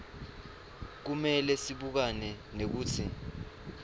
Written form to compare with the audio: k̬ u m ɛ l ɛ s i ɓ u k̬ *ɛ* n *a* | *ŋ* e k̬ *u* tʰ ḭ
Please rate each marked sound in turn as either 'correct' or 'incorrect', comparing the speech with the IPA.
incorrect, incorrect, incorrect, incorrect

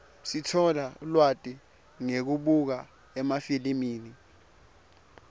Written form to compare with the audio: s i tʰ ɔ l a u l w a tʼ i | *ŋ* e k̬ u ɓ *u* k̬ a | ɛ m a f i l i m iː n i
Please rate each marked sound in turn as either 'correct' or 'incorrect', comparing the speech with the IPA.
correct, correct

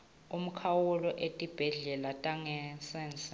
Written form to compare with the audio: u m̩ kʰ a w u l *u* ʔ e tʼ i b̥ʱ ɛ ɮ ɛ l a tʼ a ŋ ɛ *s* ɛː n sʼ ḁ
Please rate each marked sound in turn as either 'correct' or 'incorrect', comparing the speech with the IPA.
incorrect, correct

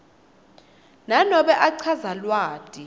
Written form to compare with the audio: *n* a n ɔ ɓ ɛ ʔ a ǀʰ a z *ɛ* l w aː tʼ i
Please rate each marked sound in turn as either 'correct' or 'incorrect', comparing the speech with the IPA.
correct, incorrect

